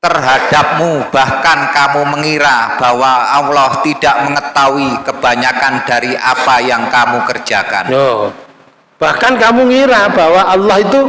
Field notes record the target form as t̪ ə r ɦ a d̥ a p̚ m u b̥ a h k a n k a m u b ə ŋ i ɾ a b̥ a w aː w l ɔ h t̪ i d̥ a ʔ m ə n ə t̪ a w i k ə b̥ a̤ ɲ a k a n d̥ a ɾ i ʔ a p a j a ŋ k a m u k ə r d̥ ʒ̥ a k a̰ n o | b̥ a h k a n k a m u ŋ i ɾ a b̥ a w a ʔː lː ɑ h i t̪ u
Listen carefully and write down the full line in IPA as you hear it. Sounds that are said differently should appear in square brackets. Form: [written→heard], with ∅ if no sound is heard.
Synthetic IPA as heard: t̪ ə r ɦ a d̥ a p̚ m u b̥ a h k a n k a m u [b→m] ə ŋ i ɾ a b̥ a w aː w l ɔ h t̪ i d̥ a ʔ m ə [n→ŋ] ə t̪ a w i k ə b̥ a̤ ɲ a k a n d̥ a ɾ i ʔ a p a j a ŋ k a m u k ə r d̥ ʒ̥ a k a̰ n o | b̥ a h k a n k a m u ŋ i ɾ a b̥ a w a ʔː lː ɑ h i t̪ u

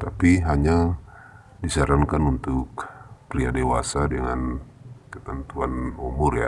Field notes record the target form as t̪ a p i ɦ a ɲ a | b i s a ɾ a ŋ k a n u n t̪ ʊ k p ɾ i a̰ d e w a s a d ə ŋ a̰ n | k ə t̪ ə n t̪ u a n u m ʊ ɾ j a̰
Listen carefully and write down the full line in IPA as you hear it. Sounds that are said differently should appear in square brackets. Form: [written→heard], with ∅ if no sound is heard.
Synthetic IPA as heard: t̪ a p i ɦ a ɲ a | [b→d] i s a ɾ a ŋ k a n u n t̪ ʊ k p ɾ i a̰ d e w a s a d ə ŋ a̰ n | k ə t̪ ə n t̪ u a n u m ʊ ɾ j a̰

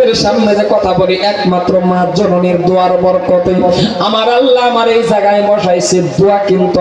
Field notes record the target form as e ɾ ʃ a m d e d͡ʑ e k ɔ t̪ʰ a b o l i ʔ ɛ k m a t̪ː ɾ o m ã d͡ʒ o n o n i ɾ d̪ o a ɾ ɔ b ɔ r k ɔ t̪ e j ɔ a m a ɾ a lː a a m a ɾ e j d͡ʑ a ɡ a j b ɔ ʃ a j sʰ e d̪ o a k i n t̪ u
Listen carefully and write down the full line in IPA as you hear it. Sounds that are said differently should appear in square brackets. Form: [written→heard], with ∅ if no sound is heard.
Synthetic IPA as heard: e ɾ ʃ a m [d→n] e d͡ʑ e k ɔ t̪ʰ a b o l i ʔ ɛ k m a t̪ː ɾ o m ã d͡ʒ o n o n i ɾ d̪ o a ɾ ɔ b ɔ [r→ɾ] k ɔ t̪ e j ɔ a m a ɾ a lː a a m a ɾ e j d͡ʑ a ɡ a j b ɔ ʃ a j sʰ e d̪ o a k i n t̪ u

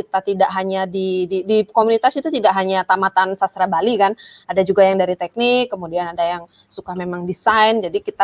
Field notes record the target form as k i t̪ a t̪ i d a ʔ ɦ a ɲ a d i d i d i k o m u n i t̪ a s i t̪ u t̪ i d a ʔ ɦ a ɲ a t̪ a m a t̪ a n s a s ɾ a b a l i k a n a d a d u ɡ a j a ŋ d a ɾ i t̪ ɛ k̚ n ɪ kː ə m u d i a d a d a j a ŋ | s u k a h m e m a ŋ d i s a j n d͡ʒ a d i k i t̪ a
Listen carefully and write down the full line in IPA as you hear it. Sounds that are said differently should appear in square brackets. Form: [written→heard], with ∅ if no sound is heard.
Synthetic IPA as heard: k i t̪ a t̪ i d a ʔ ɦ a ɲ a d i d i d i k o m u n i t̪ a s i t̪ u t̪ i d a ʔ ɦ a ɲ a t̪ a m a t̪ a n s a s ɾ a b a l i k a n a d a [d→d͡ʒ] u ɡ a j a ŋ d a ɾ i t̪ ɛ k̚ n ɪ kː ə m u d i a [d→n] a d a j a ŋ | s u k a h m e m a ŋ d i s a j n d͡ʒ a d i k i t̪ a

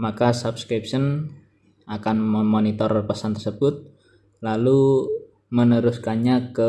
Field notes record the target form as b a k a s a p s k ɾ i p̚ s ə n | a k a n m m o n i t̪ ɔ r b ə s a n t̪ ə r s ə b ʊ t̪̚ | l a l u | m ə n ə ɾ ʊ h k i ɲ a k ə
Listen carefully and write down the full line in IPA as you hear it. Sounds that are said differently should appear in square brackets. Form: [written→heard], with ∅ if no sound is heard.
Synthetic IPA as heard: [b→m] a k a s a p s k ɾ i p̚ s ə n | a k a n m m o n i t̪ ɔ r [b→p] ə s a n t̪ ə r s ə b ʊ t̪̚ | l a l u | m ə n ə ɾ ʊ [h→s] k [i→a] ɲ a k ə

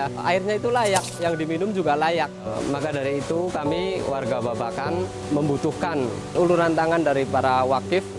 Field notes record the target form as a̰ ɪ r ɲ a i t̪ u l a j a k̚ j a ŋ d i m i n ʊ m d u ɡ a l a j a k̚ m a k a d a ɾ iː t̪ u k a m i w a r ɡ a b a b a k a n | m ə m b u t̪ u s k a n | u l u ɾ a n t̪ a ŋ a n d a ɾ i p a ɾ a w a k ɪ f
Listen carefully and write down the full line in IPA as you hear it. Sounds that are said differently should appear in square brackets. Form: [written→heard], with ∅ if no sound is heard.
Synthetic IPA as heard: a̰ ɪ r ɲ a i t̪ u l a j a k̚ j a ŋ d i m i n ʊ m [d→d͡ʒ] u ɡ a l a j a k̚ m a k a d a ɾ iː t̪ u k a m i w a r ɡ a b a b a k a n | m ə m b u t̪ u [s→h] k a n | u l u ɾ a n t̪ a ŋ a n d a ɾ i p a ɾ a w a k ɪ f

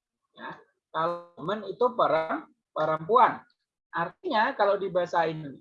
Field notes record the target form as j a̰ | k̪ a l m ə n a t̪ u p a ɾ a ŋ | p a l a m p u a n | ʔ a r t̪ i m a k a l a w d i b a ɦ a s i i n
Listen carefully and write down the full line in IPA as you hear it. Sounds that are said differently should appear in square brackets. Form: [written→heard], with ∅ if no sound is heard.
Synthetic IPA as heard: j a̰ | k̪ a l m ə n [a→i] t̪ u p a ɾ a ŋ | p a [l→ɾ] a m p u a n | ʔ a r t̪ i [m→ɲ] a k a l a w d i b a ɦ a s [i→a] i n

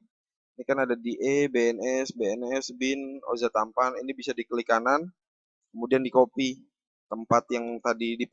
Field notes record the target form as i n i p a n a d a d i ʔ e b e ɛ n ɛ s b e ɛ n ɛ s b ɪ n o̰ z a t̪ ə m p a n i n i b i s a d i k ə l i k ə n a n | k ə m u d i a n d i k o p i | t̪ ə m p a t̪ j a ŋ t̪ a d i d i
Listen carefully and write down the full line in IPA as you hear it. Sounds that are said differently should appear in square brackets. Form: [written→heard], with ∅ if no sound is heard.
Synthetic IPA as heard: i n i [p→k] a n a d a d i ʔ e b e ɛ n ɛ s b e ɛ n ɛ s b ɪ n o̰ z a t̪ [ə→a] m p a n i n i b i s a d i k ə l i k [ə→a] n a n | k ə m u d i a n d i k o p i | t̪ ə m p a t̪ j a ŋ t̪ a d i d i

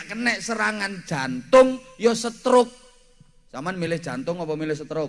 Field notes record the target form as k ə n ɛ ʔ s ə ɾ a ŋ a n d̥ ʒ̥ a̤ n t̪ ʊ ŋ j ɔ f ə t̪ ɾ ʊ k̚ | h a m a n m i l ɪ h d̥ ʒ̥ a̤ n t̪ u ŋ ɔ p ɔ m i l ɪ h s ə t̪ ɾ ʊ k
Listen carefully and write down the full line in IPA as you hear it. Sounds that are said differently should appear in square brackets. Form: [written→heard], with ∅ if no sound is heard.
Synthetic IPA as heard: k ə n ɛ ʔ s ə ɾ a ŋ a n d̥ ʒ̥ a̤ n t̪ ʊ ŋ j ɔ [f→s] ə t̪ ɾ ʊ k̚ | [h→s] a m a n m i l ɪ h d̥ ʒ̥ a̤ n t̪ [u→ʊ] ŋ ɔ p ɔ m i l ɪ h s ə t̪ ɾ ʊ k

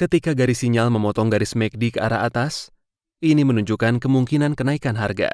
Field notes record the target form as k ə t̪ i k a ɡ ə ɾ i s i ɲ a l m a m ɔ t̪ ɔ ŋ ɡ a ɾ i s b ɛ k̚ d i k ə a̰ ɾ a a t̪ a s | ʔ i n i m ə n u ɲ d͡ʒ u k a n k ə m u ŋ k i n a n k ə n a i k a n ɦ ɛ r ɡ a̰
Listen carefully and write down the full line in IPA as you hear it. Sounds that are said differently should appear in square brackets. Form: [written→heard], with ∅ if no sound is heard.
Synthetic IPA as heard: k ə t̪ i k a ɡ [ə→a] ɾ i s i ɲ a l m [a→ə] m ɔ t̪ ɔ ŋ ɡ a ɾ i s [b→m] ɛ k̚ d i k ə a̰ ɾ a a t̪ a s | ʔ i n i m ə n u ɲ d͡ʒ u k a n k ə m u ŋ k i n a n k ə n a i k a n ɦ [ɛ→a] r ɡ a̰

